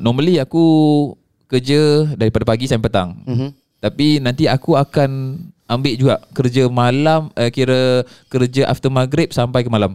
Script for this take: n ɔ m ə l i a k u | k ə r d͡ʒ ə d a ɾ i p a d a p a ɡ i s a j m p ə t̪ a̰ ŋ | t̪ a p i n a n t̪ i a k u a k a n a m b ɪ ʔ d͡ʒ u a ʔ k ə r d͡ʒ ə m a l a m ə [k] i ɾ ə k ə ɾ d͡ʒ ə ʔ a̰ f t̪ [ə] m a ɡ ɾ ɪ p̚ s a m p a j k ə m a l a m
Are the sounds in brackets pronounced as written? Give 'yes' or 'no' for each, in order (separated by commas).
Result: yes, yes